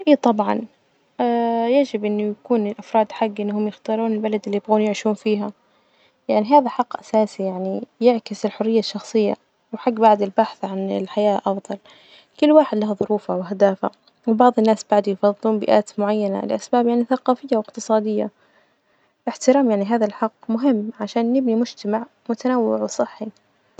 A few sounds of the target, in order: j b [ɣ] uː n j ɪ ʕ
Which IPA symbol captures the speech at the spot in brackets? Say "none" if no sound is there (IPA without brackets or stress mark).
ɣ